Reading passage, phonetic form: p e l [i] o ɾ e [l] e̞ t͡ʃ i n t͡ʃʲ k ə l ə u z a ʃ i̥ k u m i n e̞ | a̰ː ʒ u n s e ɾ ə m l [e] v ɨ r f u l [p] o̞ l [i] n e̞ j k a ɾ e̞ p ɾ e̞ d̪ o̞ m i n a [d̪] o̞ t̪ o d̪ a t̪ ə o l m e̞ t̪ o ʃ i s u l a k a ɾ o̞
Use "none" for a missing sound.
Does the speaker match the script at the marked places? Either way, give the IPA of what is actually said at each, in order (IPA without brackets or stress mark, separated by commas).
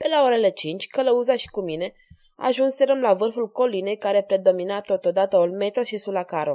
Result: a, l, a, k, i, t̪